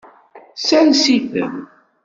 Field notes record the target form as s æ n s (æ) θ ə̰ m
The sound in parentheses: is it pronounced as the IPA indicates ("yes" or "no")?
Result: no